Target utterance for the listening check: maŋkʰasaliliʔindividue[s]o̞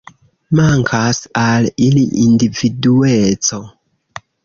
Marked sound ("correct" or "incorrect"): incorrect